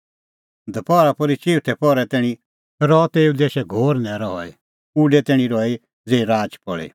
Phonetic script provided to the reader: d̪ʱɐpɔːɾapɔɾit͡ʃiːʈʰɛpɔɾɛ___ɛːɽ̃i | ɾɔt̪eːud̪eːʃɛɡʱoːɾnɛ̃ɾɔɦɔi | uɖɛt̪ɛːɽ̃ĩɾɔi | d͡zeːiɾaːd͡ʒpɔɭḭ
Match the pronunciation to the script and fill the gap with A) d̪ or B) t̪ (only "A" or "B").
B